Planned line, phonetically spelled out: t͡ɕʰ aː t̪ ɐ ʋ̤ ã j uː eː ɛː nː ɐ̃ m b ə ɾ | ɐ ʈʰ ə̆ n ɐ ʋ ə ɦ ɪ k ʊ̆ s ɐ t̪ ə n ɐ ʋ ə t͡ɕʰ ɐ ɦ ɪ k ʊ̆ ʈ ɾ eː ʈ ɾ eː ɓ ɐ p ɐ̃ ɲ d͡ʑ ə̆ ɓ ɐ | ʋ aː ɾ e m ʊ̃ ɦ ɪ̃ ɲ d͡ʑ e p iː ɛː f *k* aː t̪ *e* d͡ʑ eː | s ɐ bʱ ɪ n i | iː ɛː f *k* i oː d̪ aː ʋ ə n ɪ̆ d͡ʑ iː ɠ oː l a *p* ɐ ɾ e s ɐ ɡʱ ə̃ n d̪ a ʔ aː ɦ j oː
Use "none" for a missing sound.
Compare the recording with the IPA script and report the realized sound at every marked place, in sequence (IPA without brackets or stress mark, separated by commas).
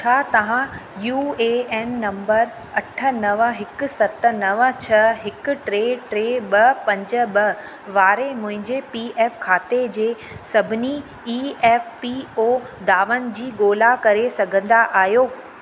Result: kʰ, e, p, k